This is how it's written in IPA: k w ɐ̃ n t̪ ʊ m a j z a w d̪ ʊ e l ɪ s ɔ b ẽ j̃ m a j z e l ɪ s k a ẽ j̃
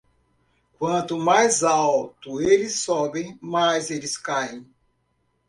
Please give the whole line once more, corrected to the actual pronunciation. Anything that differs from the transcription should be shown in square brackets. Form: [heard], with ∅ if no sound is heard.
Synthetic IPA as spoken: k w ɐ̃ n t̪ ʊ m a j z a w [t̪] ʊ e l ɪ s ɔ b ẽ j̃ m a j z e l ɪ s k a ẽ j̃